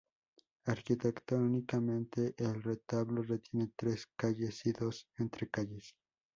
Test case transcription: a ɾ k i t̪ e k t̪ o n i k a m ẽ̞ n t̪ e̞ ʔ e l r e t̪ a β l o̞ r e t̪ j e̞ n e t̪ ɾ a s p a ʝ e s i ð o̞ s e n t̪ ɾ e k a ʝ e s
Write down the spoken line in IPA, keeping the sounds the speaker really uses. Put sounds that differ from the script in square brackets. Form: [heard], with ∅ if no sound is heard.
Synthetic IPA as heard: a ɾ k i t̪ e k t̪ o n i k a m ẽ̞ n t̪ e̞ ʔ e l r e t̪ a β l o̞ r e t̪ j e̞ n e t̪ ɾ [e] s [k] a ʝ e s i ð o̞ s e n t̪ ɾ e k a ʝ e s